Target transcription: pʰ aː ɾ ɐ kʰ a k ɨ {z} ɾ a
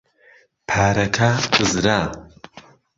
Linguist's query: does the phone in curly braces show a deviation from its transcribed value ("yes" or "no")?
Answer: no